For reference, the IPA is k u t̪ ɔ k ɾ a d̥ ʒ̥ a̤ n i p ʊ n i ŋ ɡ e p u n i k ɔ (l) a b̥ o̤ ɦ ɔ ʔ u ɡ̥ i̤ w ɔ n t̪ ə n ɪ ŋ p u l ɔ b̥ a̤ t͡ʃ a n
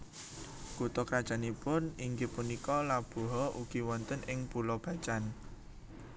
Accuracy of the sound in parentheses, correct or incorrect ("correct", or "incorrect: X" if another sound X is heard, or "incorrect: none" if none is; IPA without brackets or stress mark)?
correct